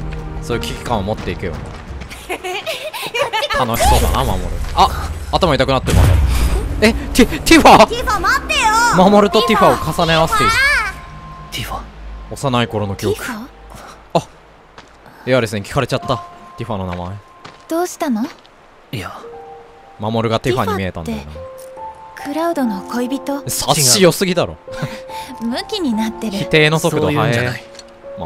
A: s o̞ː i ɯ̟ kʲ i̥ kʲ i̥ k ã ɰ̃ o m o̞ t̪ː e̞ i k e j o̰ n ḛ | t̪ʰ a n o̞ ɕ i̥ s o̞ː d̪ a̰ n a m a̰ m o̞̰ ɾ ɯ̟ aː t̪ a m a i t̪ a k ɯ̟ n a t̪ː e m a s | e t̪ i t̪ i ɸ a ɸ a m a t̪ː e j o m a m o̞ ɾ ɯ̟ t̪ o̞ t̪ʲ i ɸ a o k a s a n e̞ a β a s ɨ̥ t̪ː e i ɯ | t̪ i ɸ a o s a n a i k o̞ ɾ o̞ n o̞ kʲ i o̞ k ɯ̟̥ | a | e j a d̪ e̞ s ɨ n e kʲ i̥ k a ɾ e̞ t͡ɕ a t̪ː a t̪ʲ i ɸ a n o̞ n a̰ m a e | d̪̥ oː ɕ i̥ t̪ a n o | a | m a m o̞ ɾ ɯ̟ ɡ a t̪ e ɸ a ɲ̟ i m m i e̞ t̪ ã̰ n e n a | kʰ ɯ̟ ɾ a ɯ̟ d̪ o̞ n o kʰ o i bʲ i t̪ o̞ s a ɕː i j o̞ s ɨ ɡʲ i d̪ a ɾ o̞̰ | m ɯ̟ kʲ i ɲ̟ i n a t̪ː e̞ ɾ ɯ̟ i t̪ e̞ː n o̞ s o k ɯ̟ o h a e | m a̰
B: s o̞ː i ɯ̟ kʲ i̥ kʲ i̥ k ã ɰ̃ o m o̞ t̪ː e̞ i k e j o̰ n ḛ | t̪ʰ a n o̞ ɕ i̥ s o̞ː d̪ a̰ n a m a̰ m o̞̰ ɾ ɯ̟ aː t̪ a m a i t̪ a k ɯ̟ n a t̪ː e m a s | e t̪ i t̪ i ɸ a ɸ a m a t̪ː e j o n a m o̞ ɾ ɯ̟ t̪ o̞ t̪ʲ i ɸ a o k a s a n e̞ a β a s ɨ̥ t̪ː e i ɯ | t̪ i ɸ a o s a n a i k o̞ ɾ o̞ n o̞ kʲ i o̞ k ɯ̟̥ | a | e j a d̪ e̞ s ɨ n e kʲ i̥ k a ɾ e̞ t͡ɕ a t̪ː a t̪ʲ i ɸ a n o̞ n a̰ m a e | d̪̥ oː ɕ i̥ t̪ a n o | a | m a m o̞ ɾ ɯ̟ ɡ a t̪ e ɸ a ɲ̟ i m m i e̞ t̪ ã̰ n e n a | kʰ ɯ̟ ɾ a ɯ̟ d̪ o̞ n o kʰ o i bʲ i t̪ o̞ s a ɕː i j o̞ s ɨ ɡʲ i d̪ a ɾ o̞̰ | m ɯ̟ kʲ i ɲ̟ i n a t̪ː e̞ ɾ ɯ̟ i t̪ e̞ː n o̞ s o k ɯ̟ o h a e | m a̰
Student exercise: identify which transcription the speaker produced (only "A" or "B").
A